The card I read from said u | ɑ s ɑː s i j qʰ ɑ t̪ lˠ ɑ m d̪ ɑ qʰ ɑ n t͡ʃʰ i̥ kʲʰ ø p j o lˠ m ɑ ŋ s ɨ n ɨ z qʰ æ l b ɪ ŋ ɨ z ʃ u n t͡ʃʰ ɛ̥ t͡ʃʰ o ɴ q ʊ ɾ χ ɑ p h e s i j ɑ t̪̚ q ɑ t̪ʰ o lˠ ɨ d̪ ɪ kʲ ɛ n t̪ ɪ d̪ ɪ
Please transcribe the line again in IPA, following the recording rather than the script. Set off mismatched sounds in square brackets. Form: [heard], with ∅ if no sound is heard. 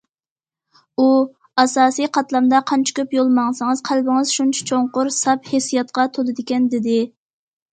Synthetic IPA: u | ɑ s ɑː s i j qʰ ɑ t̪ lˠ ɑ m d̪ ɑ qʰ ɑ n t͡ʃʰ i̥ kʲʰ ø p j o lˠ m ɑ ŋ s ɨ [ŋ] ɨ z qʰ æ l b ɪ ŋ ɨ z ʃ u n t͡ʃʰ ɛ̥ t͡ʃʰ o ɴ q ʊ ɾ [s] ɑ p h e s i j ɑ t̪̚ q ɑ t̪ʰ o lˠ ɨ d̪ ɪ kʲ ɛ n [d̪] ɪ d̪ ɪ

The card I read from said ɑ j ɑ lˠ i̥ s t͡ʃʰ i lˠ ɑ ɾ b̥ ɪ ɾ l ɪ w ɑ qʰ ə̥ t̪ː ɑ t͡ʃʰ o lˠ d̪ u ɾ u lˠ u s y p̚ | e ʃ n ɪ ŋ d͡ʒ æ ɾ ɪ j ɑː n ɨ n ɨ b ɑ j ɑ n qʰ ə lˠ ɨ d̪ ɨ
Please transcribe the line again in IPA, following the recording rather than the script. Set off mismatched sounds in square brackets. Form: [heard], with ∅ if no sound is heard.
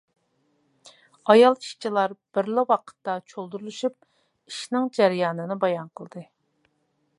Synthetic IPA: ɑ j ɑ lˠ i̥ [ʃ] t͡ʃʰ i lˠ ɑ ɾ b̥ ɪ ɾ l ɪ w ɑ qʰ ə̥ t̪ː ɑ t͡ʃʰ o lˠ d̪ u ɾ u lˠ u [ʃ] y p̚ | [i] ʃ n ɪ ŋ d͡ʒ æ ɾ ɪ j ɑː n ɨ n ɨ b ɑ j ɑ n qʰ ə lˠ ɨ d̪ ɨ

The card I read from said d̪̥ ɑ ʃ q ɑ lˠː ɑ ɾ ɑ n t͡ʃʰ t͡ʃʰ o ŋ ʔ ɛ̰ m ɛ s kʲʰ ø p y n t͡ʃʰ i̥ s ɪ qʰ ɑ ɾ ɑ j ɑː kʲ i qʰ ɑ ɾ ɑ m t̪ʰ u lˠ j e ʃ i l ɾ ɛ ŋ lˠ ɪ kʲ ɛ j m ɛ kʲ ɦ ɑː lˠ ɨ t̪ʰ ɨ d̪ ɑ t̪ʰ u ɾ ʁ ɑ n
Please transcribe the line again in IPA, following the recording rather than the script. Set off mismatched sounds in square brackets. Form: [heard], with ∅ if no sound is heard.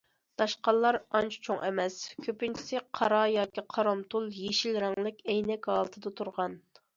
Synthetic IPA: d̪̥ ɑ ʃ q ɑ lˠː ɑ ɾ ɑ n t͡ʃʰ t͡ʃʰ o ŋ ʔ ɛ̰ m ɛ s kʲʰ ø p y n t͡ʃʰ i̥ s ɪ qʰ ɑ ɾ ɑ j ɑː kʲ i qʰ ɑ ɾ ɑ m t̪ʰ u lˠ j e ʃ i l ɾ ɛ ŋ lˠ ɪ kʲ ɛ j [n] ɛ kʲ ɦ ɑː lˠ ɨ t̪ʰ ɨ d̪ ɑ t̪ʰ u ɾ ʁ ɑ n

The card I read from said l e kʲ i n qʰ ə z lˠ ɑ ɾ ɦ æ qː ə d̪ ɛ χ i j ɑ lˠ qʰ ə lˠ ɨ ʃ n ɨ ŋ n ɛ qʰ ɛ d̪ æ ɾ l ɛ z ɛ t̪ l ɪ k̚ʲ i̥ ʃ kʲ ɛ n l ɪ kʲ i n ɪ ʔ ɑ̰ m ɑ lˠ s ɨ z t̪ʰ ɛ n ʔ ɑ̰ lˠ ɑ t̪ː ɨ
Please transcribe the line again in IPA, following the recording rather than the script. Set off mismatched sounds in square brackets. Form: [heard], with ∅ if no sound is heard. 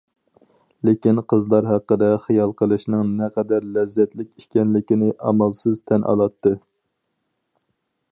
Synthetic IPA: l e kʲ i n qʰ ə z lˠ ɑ ɾ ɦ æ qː ə d̪ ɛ χ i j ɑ lˠ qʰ ə lˠ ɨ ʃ n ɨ ŋ n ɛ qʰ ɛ d̪ æ ɾ l ɛ [zː] ɛ t̪ l ɪ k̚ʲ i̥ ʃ kʲ ɛ n l ɪ kʲ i n ɪ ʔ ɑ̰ m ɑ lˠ s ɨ z t̪ʰ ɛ n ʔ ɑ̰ lˠ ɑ t̪ː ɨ

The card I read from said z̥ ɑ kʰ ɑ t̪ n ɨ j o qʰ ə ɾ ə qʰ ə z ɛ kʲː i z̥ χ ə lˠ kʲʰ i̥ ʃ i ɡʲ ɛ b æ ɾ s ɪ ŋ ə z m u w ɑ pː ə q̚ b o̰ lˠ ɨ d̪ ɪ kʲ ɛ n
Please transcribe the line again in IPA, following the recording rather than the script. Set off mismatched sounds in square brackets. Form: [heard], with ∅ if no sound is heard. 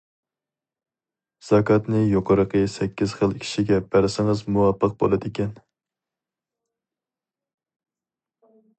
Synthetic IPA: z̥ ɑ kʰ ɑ t̪ n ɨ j o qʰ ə ɾ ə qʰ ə [s] ɛ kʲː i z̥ χ ə lˠ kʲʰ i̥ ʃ i ɡʲ ɛ b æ ɾ s ɪ ŋ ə z m u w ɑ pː ə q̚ b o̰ lˠ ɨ d̪ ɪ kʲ ɛ n

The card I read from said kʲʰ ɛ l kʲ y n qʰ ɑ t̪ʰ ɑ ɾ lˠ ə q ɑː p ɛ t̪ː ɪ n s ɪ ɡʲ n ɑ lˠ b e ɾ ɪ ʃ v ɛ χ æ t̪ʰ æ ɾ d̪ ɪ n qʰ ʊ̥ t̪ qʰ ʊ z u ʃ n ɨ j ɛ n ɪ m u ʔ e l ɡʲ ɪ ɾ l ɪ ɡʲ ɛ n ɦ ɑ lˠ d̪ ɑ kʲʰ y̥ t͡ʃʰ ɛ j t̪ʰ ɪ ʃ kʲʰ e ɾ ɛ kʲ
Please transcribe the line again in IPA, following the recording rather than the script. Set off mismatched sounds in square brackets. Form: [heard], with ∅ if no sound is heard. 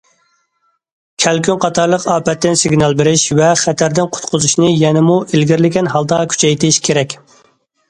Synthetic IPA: kʲʰ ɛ l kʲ y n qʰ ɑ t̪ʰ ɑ ɾ lˠ ə q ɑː p ɛ t̪ː ɪ n s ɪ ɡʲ n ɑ lˠ b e ɾ ɪ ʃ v ɛ χ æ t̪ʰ æ ɾ d̪ ɪ n qʰ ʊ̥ t̪ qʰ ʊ z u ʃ n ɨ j ɛ n ɪ m u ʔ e l ɡʲ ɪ ɾ l ɪ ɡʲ ɛ n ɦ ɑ lˠ d̪ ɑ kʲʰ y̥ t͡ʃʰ ɛ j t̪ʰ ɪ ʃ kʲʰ e ɾ ɛ kʲ

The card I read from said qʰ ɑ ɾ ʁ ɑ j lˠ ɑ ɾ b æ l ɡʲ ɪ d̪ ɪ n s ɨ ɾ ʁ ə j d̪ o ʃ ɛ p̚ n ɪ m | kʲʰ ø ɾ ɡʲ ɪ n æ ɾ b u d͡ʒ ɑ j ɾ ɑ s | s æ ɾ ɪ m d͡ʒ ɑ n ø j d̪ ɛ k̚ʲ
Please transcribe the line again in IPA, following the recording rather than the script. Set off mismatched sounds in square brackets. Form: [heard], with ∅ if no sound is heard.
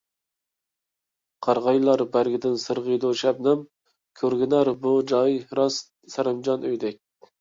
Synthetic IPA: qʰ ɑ ɾ ʁ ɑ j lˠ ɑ ɾ b æ [ɾ] ɡʲ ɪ d̪ ɪ n s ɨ ɾ ʁ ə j d̪ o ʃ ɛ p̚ n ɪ m | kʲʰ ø ɾ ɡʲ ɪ n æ ɾ b u d͡ʒ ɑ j ɾ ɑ s | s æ ɾ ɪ m d͡ʒ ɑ n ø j d̪ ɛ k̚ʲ

